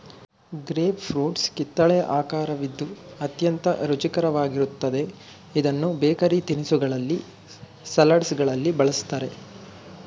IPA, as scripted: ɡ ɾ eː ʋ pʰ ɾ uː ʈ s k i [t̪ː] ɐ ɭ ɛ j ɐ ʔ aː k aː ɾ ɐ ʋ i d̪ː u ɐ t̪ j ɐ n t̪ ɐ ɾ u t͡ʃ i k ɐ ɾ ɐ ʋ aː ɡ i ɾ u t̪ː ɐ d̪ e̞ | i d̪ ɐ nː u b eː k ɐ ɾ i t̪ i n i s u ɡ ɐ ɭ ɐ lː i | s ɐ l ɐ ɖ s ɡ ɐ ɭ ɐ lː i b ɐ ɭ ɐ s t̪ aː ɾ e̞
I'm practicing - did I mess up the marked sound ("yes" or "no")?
no